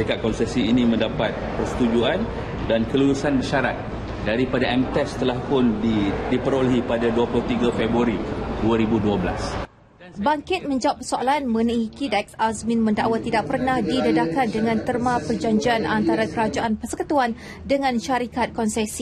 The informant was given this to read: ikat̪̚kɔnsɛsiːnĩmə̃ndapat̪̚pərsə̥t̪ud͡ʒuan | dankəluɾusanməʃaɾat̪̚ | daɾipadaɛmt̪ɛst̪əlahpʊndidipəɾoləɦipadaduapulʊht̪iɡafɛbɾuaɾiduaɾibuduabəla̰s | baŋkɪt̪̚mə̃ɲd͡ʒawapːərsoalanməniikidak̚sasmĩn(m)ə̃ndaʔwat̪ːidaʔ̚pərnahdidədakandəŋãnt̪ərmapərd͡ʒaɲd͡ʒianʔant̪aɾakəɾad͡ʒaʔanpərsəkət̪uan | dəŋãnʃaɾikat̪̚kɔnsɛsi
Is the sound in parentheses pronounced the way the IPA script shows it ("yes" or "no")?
yes